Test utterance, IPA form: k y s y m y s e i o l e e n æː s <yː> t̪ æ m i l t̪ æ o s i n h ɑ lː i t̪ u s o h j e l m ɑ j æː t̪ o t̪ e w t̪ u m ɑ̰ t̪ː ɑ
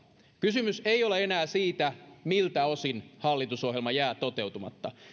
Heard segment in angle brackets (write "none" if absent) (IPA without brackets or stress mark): iː